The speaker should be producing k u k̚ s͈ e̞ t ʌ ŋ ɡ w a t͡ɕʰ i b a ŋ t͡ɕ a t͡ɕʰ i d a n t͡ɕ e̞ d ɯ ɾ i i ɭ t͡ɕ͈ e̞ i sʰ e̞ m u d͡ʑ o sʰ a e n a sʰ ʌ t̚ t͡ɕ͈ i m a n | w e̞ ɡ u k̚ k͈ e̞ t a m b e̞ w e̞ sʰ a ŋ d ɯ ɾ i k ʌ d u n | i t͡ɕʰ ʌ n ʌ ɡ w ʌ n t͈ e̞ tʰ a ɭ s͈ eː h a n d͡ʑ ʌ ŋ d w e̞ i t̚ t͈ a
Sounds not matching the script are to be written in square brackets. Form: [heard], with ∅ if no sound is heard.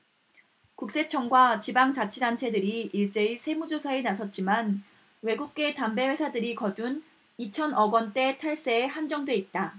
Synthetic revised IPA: k u k̚ s͈ e̞ [t͡ɕʰ] ʌ ŋ ɡ w a [t͡ɕ] i b a ŋ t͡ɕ a t͡ɕʰ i d a n [t͡ɕʰ] e̞ d ɯ ɾ i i ɭ t͡ɕ͈ e̞ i sʰ e̞ m u d͡ʑ o sʰ a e n a sʰ ʌ t̚ t͡ɕ͈ i m a n | w e̞ ɡ u k̚ k͈ e̞ t a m b e̞ w e̞ sʰ a [∅] d ɯ ɾ i k ʌ d u n | i t͡ɕʰ ʌ n ʌ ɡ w ʌ n t͈ e̞ tʰ a ɭ s͈ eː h a n d͡ʑ ʌ ŋ d w e̞ i t̚ t͈ a